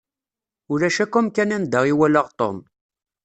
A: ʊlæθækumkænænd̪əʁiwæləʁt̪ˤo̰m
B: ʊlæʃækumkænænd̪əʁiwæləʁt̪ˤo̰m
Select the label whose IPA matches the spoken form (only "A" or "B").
B